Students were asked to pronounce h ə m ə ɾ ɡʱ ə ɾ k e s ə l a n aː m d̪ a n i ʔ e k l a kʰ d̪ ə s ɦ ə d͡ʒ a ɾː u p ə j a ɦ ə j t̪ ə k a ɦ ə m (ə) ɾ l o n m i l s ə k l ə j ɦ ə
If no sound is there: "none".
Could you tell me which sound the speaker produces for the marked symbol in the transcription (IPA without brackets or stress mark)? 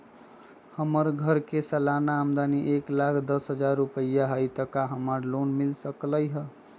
ə